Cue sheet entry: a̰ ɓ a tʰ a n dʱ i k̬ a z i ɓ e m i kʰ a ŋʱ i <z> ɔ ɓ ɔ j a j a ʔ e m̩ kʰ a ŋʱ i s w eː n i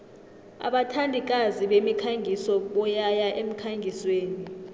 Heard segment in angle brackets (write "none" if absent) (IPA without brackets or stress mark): s